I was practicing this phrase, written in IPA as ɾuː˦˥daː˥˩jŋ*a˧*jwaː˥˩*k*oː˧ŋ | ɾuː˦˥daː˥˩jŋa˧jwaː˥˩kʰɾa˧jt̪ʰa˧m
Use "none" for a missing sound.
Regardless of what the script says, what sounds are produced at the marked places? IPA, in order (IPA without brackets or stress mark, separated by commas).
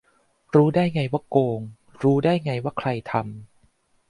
a˧, k